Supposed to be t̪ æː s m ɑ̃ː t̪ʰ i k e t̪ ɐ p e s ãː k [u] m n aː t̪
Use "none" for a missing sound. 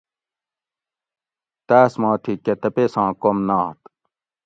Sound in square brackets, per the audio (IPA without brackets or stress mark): o